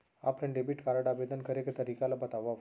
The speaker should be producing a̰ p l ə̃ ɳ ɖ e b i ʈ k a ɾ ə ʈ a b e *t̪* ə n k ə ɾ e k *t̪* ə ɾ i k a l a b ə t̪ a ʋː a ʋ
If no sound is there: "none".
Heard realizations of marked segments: d̪, t̪

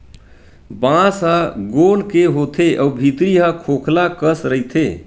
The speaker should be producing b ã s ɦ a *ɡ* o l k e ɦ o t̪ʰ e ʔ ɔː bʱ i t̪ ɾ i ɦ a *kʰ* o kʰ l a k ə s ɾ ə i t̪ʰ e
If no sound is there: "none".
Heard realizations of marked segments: ɡ, kʰ

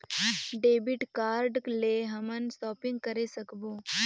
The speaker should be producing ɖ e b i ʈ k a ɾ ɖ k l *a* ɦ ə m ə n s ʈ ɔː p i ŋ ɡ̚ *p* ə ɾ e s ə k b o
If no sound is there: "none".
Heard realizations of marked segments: e, k

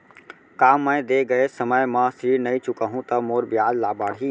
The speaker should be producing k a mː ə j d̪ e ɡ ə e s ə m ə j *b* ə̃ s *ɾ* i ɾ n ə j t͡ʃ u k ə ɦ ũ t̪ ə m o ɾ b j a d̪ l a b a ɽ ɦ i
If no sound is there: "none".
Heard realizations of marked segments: m, ɾ

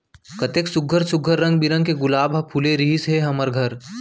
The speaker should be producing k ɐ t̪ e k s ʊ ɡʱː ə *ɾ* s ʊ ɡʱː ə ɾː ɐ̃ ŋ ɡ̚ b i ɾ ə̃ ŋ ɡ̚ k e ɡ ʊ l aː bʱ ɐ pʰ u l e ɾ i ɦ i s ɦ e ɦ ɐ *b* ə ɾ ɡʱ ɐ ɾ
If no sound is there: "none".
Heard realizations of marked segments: ɾ, m

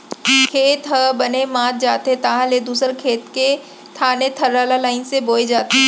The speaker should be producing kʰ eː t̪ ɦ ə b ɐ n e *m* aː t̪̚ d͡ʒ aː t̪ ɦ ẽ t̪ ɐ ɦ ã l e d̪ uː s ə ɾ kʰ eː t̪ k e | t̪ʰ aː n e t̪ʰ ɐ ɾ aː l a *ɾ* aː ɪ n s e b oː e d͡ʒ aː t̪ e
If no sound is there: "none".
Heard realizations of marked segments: m, l

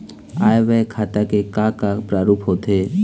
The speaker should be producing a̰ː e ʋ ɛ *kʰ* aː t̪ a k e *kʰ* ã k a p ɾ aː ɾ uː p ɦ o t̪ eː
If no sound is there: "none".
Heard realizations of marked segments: kʰ, k

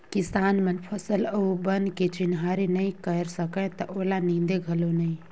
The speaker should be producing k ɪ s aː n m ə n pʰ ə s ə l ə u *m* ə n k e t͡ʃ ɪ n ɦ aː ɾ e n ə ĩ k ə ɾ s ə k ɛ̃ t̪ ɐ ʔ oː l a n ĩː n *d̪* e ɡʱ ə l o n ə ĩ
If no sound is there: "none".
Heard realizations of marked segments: b, d̪

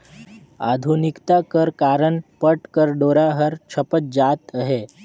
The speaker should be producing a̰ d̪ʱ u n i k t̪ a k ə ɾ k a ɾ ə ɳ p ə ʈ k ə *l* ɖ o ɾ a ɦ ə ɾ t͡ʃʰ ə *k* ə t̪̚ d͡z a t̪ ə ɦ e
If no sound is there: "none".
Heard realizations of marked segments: ɾ, p

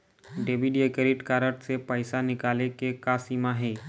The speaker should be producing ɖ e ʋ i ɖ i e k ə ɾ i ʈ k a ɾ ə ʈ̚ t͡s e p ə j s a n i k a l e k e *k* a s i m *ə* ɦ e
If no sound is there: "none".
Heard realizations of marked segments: k, a

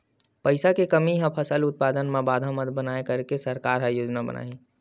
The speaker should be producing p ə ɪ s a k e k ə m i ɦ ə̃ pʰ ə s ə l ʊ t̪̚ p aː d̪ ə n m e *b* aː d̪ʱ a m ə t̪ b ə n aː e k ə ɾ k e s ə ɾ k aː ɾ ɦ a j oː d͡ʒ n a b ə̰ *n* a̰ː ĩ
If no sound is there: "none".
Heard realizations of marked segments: b, n

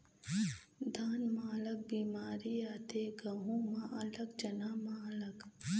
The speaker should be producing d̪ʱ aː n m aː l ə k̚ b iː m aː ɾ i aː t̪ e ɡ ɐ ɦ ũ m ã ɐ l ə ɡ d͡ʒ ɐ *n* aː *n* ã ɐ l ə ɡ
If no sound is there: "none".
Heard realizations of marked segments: n, m

